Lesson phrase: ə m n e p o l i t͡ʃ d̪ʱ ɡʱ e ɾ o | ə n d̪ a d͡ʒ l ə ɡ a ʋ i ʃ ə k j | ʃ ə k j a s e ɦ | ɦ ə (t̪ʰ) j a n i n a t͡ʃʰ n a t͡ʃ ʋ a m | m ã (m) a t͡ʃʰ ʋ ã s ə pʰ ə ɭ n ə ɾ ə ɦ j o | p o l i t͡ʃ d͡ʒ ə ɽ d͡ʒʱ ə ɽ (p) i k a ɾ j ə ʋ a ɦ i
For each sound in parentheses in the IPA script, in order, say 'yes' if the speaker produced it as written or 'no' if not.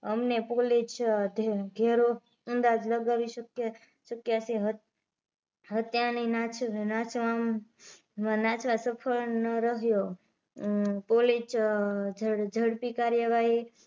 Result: no, no, yes

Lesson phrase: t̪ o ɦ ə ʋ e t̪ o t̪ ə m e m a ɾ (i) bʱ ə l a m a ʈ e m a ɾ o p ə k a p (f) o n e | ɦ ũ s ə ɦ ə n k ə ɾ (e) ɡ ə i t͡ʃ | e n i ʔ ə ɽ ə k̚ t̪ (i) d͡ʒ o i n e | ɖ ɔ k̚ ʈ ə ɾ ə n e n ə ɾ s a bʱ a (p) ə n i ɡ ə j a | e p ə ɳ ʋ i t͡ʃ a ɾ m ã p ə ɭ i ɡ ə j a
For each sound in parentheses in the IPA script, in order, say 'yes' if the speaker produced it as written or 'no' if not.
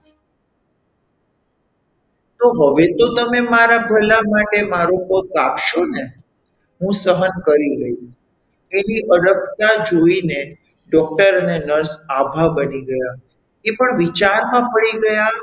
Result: no, no, no, no, no

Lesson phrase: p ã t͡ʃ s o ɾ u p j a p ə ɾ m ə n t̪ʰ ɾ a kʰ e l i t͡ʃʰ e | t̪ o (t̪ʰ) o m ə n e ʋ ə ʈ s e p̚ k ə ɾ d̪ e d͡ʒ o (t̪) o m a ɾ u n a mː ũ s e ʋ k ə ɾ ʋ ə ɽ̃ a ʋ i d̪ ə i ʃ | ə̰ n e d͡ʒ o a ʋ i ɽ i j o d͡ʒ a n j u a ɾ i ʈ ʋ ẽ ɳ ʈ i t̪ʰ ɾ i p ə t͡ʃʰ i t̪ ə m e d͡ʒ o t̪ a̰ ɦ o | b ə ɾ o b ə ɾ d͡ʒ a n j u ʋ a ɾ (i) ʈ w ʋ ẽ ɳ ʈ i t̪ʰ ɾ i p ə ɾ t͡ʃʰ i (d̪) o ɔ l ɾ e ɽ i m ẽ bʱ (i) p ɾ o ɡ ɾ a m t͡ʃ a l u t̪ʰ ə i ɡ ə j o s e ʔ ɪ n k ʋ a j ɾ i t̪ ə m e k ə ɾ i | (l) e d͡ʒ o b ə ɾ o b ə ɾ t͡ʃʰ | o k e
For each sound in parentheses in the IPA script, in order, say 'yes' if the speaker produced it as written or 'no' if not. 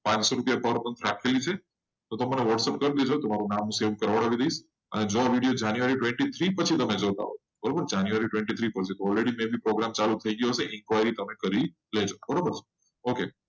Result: no, yes, yes, no, yes, yes

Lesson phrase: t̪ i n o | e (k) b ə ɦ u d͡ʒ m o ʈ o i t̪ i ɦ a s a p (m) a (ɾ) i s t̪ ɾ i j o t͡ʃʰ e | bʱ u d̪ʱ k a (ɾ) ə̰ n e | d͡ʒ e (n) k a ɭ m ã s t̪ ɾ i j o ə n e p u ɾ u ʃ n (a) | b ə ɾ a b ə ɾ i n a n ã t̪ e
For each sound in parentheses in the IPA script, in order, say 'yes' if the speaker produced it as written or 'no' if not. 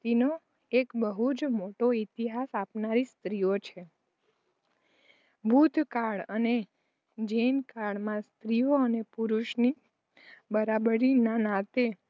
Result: yes, no, yes, no, yes, no

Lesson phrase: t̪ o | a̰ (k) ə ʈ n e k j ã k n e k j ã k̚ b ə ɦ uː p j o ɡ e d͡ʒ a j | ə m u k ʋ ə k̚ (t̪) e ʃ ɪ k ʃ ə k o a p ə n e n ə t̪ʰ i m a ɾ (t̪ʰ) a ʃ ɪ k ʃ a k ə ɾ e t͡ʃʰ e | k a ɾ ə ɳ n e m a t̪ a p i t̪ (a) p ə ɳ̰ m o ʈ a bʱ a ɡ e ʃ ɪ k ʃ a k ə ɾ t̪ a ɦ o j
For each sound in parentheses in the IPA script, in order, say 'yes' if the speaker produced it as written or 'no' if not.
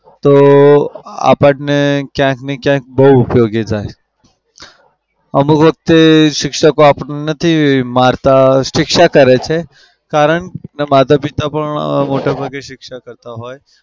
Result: no, yes, no, yes

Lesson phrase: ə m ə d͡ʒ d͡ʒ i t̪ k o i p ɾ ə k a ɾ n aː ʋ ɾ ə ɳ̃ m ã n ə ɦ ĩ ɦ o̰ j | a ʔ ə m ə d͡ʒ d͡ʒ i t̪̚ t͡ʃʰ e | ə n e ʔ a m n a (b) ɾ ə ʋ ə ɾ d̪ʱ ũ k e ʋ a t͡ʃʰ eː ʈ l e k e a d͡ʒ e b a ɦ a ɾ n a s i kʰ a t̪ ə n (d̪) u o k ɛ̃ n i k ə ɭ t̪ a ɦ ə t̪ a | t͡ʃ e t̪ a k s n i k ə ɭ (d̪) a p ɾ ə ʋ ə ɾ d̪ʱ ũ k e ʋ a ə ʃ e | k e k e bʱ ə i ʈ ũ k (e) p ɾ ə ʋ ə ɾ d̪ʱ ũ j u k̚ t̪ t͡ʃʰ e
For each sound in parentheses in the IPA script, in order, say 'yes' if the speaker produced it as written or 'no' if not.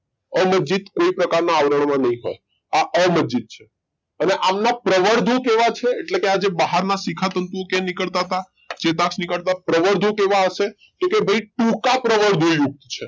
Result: no, no, no, no

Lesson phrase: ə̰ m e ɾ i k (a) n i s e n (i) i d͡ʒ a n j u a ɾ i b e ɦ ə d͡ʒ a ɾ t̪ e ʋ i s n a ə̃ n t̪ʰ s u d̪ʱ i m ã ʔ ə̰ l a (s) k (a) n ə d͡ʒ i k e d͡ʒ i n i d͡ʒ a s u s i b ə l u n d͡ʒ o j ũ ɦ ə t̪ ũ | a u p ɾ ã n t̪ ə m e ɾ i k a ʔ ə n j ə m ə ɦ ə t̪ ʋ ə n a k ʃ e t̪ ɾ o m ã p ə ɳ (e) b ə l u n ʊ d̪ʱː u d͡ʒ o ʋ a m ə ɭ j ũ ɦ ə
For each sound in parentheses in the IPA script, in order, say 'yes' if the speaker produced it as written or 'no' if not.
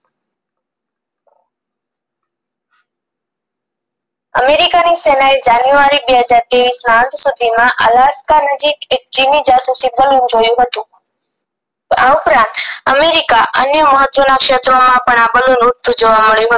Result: yes, no, yes, yes, no

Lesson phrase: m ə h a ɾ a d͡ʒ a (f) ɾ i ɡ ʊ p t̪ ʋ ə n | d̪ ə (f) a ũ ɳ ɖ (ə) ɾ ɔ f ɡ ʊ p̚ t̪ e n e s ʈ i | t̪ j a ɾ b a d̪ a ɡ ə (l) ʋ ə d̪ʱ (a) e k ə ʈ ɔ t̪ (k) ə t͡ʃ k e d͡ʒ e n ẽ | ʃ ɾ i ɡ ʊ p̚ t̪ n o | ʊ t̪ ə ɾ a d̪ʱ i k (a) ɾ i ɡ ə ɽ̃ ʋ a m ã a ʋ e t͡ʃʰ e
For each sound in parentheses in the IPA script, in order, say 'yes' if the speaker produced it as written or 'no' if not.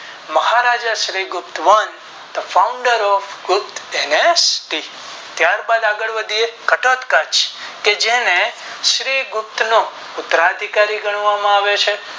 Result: no, yes, yes, no, no, yes, yes

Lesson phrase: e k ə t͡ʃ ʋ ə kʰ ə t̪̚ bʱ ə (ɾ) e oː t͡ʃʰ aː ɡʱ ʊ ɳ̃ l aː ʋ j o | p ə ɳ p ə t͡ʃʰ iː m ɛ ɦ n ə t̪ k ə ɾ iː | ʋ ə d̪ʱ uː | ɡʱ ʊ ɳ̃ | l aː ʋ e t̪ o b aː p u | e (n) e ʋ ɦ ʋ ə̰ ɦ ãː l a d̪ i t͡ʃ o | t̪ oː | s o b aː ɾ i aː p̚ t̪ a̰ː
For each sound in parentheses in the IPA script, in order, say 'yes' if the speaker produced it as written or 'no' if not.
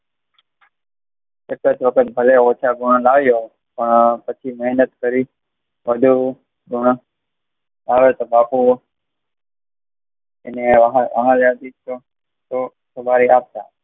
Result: no, yes

